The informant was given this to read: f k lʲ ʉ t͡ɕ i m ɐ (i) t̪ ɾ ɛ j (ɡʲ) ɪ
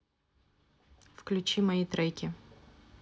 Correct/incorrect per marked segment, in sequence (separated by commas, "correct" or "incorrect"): correct, incorrect